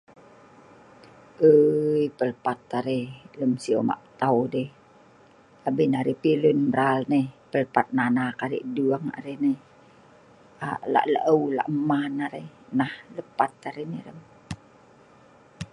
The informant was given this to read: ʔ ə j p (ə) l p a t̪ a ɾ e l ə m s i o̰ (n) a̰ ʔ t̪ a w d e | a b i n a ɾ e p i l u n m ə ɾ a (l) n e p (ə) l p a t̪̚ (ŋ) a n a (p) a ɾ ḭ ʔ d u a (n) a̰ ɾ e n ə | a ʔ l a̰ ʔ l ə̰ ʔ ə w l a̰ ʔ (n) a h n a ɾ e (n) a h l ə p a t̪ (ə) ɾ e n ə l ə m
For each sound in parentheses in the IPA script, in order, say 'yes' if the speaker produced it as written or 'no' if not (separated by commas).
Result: yes, no, yes, yes, no, no, no, no, yes, no